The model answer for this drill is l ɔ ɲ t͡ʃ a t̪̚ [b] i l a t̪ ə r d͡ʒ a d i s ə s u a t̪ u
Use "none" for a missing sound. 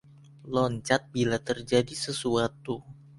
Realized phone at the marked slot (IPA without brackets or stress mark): b